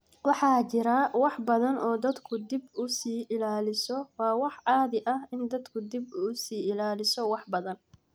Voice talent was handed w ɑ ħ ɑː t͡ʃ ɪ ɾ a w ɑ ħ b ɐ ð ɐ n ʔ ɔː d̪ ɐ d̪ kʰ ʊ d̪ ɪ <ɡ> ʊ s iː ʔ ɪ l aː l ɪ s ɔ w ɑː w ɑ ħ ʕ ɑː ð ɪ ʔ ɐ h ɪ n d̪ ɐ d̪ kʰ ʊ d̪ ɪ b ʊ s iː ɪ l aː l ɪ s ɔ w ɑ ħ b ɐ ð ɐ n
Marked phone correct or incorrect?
incorrect